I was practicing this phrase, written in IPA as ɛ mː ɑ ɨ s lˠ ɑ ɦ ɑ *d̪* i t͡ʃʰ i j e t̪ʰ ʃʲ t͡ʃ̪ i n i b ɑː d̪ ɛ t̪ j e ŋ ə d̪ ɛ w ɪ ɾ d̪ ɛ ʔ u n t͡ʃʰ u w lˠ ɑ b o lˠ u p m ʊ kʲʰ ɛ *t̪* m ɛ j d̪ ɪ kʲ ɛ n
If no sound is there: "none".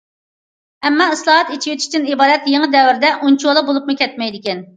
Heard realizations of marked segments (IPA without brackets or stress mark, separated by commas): t̪, t̪